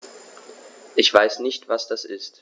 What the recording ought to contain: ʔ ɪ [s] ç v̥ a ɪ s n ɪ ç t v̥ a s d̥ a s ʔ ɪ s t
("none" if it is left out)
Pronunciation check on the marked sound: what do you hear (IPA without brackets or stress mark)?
none